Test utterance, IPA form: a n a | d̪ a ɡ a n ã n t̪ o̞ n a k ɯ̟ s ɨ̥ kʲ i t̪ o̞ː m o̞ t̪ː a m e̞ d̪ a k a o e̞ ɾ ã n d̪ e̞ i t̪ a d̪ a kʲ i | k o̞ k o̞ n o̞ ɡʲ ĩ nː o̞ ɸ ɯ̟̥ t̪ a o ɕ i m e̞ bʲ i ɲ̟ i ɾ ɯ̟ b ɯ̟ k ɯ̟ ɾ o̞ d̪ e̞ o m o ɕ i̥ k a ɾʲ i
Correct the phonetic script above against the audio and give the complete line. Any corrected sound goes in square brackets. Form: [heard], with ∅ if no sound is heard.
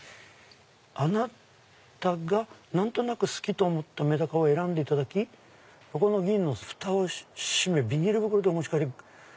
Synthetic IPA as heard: a n a | [t̪] a ɡ a n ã n t̪ o̞ n a k ɯ̟ s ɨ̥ kʲ i t̪ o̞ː m o̞ t̪ː a m e̞ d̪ a k a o e̞ ɾ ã n d̪ e̞ i t̪ a d̪ a kʲ i | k o̞ k o̞ n o̞ ɡʲ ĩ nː o̞ ɸ ɯ̟̥ t̪ a o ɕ i m e̞ bʲ i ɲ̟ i ɾ ɯ̟ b ɯ̟ k ɯ̟ ɾ o̞ d̪ e̞ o m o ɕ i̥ k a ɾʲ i